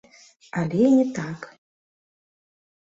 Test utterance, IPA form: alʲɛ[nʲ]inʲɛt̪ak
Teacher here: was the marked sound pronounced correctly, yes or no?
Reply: no